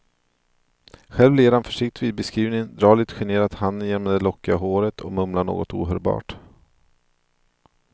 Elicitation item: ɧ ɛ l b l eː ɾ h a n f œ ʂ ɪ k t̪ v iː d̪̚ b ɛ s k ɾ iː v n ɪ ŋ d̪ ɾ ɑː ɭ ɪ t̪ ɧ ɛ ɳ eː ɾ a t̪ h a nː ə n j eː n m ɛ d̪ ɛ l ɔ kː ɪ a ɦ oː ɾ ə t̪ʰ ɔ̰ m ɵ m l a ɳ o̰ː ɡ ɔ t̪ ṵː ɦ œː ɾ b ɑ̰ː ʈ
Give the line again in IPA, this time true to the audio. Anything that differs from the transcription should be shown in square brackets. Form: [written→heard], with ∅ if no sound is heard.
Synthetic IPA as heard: ɧ ɛ l [b→v] l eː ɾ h a n f œ ʂ ɪ k t̪ v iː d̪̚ b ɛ s k ɾ iː v n ɪ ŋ d̪ ɾ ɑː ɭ ɪ t̪ ɧ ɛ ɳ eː ɾ a t̪ h a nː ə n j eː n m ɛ d̪ ɛ l ɔ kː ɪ a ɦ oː ɾ ə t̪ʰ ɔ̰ m ɵ m l a ɳ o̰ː ɡ ɔ t̪ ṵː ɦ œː ɾ b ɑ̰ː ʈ

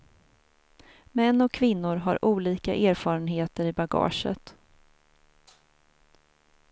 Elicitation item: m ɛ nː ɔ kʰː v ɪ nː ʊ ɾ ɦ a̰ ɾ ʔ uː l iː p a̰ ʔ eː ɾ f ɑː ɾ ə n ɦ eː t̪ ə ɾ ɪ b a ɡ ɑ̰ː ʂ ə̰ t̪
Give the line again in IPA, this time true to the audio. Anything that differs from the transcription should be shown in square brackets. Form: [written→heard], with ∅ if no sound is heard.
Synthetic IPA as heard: m ɛ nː ɔ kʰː v ɪ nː ʊ ɾ ɦ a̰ ɾ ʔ uː l iː [p→k] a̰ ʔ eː ɾ f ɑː ɾ ə n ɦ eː t̪ ə ɾ ɪ b a ɡ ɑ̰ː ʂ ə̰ t̪

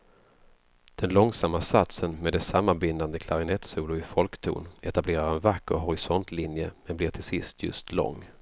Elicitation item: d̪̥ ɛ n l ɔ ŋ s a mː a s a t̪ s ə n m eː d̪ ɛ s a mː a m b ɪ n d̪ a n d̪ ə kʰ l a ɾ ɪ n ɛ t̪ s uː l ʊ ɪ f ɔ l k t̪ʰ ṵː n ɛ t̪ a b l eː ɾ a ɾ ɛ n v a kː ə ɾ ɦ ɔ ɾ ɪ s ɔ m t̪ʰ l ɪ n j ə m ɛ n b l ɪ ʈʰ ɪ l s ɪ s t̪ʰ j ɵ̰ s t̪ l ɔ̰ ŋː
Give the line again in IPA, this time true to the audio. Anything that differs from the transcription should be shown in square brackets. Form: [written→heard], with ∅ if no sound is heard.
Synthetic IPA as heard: d̪̥ ɛ n l ɔ ŋ s a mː a s a t̪ s ə n m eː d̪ ɛ s a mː a [m→n] b ɪ n d̪ a n d̪ ə kʰ l a ɾ ɪ n ɛ t̪ s uː l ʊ ɪ f ɔ l k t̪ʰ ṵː n ɛ t̪ a b l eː ɾ a ɾ ɛ n v a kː ə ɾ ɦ ɔ ɾ ɪ s ɔ [m→n] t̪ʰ l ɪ n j ə m ɛ n b l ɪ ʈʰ ɪ l s ɪ s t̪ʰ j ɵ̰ s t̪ l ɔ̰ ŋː

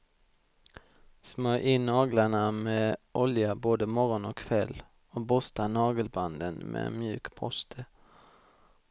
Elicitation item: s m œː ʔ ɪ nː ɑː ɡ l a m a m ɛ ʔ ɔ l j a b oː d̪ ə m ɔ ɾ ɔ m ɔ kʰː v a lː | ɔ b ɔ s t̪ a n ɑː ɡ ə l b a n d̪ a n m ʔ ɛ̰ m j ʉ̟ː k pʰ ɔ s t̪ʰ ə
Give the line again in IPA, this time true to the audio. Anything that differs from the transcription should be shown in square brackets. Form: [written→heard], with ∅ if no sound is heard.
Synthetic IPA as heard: s m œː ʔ ɪ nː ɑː ɡ l a [m→ɳ] a m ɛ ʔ ɔ l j a b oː d̪ ə m ɔ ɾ ɔ [m→n] ɔ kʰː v [a→ɛ] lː | ɔ b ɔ s t̪ a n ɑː ɡ ə l b a n d̪ [a→ə] n m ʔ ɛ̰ m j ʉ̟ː k pʰ ɔ s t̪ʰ ə

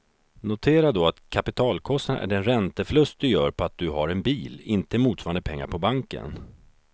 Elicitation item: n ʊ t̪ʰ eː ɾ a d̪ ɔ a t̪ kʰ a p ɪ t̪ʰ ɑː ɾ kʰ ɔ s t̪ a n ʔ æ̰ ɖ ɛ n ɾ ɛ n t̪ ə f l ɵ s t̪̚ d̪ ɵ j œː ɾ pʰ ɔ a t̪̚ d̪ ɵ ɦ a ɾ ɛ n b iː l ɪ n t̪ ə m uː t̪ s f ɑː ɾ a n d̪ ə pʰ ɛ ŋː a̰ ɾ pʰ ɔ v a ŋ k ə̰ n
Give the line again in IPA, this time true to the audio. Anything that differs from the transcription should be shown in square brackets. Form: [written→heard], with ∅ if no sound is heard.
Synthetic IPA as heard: n ʊ t̪ʰ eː ɾ a d̪ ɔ a t̪ kʰ a p ɪ t̪ʰ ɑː [ɾ→l] kʰ ɔ s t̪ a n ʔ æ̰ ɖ ɛ n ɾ ɛ n t̪ ə f l ɵ s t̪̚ d̪ ɵ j œː ɾ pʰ ɔ a t̪̚ d̪ ɵ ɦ a ɾ ɛ n b iː l ɪ n t̪ ə m uː t̪ s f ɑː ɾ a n d̪ ə pʰ ɛ ŋː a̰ ɾ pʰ ɔ [v→b] a ŋ k ə̰ n

